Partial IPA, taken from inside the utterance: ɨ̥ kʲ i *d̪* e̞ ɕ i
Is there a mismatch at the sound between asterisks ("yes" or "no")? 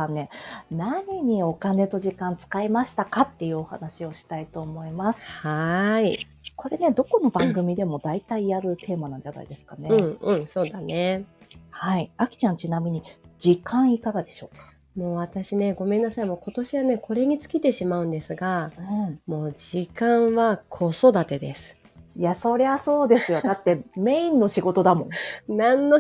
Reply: yes